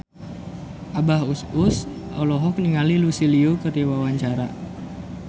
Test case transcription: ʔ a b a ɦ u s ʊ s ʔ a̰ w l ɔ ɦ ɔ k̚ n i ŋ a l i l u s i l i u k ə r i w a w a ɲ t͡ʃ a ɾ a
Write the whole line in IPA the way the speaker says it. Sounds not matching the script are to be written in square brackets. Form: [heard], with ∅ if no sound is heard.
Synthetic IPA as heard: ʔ a b a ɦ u s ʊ s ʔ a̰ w l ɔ ɦ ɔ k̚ n i ŋ a l i l u s i l i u k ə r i w a w a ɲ t͡ʃ a ɾ a